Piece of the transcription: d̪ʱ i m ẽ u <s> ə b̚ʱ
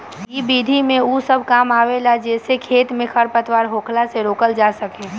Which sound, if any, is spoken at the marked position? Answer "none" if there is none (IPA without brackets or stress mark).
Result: s